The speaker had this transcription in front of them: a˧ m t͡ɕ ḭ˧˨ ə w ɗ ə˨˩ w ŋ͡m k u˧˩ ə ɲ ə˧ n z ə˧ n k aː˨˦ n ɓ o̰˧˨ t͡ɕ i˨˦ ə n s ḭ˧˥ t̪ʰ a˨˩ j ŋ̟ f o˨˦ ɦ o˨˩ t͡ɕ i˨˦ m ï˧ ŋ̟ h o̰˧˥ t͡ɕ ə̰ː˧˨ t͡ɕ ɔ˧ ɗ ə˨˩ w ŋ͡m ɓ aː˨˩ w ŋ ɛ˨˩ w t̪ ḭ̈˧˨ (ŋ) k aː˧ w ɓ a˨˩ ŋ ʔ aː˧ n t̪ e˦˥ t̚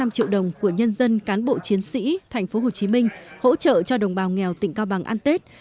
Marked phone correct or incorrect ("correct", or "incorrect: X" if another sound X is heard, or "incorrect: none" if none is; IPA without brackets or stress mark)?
correct